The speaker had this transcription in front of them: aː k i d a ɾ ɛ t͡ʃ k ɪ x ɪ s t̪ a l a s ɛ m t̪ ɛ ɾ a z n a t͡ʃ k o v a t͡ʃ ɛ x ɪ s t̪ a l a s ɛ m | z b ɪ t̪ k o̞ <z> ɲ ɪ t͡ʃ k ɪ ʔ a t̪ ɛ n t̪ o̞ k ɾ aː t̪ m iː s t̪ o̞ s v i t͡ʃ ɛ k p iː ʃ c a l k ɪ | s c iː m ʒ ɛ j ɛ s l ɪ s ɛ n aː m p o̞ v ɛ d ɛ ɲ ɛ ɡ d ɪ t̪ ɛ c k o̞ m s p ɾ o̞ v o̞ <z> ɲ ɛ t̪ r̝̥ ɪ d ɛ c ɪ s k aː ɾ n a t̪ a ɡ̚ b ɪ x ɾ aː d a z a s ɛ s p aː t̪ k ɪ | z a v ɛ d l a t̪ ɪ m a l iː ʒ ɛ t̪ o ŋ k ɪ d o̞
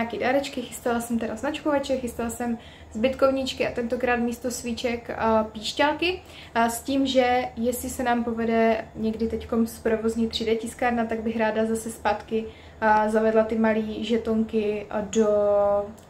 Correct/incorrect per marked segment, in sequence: incorrect, correct

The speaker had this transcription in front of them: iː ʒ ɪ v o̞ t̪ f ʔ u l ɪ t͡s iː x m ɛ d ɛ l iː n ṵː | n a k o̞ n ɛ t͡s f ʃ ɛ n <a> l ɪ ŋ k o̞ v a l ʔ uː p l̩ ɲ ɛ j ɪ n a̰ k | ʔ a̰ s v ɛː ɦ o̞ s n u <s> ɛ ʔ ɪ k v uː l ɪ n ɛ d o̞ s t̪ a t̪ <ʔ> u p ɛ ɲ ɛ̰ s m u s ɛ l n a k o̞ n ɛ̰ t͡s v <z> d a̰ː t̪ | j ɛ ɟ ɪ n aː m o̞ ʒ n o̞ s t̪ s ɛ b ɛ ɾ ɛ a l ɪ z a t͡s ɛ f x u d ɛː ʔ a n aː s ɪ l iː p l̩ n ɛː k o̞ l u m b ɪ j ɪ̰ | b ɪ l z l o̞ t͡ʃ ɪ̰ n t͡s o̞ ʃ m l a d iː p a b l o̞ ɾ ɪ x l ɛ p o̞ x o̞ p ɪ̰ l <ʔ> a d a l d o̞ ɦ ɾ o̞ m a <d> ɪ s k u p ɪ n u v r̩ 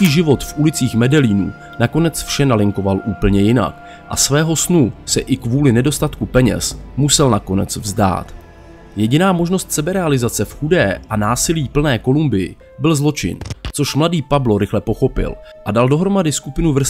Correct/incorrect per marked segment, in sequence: correct, correct, incorrect, correct, correct, correct

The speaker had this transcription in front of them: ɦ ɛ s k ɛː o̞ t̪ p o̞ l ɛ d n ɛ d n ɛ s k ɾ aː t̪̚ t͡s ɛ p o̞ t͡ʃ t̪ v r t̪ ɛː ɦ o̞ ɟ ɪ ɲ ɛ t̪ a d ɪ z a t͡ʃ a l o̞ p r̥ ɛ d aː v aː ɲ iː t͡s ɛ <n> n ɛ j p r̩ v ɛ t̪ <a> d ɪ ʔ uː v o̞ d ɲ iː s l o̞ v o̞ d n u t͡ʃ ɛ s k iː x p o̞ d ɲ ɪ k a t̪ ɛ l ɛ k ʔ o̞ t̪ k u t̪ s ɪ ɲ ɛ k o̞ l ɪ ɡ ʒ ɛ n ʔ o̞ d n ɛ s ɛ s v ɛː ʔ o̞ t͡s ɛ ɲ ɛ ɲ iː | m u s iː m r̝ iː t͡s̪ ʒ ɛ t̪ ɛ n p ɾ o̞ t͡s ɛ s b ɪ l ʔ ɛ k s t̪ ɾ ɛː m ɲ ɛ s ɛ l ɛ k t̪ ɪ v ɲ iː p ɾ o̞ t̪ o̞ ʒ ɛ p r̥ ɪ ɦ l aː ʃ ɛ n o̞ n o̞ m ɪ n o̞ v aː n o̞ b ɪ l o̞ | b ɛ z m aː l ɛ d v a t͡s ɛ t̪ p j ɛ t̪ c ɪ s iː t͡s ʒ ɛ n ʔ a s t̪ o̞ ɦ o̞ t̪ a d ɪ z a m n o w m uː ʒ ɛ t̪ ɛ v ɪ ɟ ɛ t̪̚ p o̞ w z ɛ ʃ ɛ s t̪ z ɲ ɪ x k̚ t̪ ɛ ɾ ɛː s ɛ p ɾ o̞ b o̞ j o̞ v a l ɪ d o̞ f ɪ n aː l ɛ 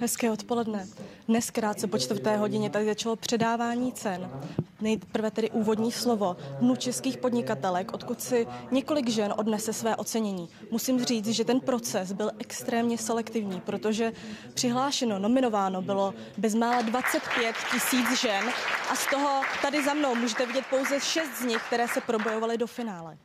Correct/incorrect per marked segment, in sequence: correct, incorrect

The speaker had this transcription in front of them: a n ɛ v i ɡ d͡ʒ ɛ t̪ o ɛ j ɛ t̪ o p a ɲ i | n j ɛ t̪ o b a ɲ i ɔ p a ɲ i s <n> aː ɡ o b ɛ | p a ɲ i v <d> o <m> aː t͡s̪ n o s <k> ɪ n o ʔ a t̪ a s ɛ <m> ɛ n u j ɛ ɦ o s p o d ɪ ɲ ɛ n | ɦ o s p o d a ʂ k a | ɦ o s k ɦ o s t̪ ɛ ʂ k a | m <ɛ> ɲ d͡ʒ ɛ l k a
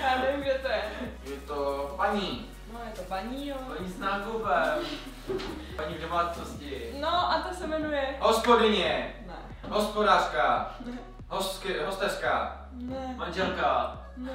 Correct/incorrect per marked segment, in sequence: correct, correct, correct, incorrect, correct, incorrect

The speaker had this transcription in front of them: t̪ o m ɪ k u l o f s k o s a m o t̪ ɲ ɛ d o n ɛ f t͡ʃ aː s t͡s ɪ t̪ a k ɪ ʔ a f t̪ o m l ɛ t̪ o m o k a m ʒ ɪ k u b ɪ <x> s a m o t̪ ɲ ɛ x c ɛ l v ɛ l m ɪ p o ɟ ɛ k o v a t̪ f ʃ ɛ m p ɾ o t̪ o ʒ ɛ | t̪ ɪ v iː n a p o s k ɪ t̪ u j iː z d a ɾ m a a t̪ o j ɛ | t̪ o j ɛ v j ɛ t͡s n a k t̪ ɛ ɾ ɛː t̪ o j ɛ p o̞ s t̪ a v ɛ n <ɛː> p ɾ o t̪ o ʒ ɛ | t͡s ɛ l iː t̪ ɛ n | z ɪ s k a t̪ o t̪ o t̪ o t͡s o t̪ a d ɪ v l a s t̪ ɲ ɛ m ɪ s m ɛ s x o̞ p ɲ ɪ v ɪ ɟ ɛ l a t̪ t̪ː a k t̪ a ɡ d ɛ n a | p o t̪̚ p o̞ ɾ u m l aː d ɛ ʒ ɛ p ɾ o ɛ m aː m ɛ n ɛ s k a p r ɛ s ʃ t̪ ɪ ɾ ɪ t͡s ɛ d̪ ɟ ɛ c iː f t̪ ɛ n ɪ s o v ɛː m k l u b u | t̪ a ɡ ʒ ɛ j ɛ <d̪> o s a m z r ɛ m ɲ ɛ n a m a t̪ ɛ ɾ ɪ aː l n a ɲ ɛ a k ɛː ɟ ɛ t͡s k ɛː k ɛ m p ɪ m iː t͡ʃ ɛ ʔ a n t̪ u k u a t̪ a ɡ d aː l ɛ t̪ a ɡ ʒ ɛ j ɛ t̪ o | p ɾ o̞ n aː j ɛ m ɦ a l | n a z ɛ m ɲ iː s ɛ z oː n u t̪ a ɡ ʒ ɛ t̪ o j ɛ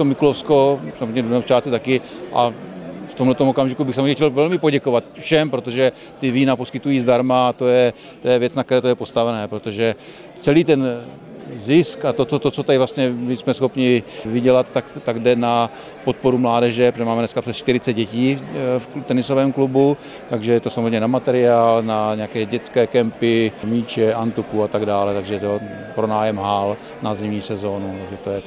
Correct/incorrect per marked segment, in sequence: correct, correct, incorrect

